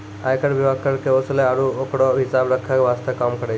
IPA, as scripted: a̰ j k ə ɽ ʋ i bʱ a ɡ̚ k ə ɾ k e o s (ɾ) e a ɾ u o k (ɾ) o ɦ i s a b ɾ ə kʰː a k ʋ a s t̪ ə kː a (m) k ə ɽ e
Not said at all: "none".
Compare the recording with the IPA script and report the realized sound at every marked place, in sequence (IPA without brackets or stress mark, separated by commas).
l, ɽ, m